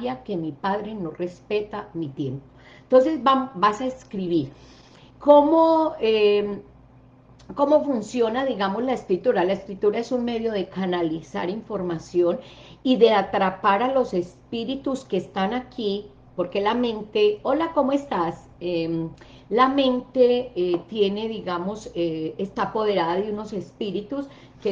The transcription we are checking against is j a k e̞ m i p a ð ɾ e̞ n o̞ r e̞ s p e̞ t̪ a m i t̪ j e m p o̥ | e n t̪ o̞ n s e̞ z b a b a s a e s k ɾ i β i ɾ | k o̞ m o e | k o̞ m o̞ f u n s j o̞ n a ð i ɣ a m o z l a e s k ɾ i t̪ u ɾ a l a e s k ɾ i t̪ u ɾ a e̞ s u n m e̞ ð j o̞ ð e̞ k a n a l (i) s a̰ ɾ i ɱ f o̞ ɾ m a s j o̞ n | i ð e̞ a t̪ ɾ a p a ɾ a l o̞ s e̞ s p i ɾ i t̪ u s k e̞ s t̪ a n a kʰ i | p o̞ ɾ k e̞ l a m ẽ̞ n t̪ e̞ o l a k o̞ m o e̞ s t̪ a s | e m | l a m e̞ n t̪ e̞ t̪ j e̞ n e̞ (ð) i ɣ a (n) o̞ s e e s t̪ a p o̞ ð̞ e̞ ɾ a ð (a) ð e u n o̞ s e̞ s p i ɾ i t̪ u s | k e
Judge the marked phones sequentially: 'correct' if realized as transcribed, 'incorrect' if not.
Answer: correct, correct, incorrect: m, correct

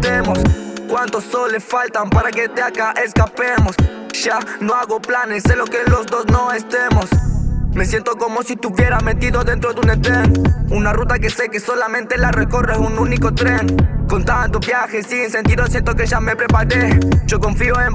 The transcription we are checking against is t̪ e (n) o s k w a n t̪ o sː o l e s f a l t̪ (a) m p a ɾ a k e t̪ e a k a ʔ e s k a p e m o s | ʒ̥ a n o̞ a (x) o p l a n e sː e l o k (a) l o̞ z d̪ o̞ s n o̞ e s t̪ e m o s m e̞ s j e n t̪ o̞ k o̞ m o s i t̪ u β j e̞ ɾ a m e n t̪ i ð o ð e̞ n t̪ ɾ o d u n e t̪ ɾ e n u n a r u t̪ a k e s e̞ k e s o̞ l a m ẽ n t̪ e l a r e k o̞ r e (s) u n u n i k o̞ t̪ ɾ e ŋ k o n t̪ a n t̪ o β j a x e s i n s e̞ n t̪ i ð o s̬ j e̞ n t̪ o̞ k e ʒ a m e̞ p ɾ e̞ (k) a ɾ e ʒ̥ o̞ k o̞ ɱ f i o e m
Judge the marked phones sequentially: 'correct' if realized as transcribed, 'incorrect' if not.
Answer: incorrect: m, correct, incorrect: ɣ, incorrect: e, correct, incorrect: p

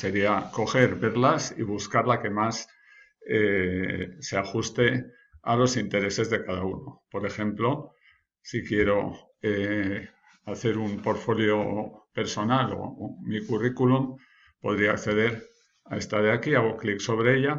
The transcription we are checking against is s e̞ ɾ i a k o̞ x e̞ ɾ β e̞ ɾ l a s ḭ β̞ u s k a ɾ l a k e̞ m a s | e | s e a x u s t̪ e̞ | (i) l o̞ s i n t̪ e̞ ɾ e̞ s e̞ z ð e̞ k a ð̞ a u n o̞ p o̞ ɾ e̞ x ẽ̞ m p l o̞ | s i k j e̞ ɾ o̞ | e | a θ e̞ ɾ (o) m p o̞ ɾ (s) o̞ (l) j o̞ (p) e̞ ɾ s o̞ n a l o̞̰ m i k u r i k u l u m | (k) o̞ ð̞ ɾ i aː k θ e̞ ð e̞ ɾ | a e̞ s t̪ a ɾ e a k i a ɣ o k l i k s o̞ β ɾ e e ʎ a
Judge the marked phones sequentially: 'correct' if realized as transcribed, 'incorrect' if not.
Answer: incorrect: a, incorrect: u, incorrect: f, correct, correct, incorrect: p

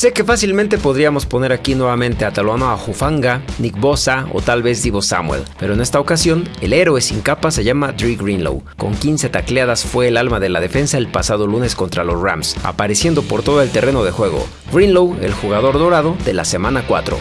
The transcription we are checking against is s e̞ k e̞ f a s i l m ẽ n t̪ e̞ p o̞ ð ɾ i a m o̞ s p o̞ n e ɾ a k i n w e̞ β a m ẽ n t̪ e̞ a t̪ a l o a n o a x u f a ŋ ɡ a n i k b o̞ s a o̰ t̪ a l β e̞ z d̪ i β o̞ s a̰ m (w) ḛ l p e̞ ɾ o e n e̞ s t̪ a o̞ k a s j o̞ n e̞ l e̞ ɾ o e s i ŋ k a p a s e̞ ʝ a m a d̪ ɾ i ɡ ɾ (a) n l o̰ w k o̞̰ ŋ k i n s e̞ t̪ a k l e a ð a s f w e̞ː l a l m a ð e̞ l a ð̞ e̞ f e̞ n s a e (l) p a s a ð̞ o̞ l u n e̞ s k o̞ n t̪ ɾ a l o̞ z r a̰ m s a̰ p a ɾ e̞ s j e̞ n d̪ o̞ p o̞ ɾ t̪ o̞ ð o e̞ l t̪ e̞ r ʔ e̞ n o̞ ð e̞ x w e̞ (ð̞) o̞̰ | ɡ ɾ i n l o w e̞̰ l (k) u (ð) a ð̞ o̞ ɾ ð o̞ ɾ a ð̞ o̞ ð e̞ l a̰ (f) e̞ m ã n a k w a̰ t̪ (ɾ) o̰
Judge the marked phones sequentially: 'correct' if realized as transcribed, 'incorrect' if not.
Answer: correct, incorrect: i, correct, incorrect: ɣ̞, incorrect: x, incorrect: ɣ, incorrect: s, correct

